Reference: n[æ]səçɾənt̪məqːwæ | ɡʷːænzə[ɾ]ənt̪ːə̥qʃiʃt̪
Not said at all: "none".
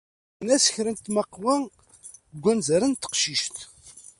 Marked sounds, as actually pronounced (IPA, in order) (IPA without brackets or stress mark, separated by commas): æ, ɾ